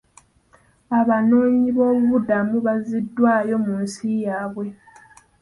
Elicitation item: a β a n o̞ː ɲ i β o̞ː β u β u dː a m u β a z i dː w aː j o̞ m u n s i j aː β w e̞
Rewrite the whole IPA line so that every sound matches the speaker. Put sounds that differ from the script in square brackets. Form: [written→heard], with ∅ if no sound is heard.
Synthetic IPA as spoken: a β a n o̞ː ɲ i β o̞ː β u β u [dː→d] a m u β a z i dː w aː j o̞ m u n s i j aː β w e̞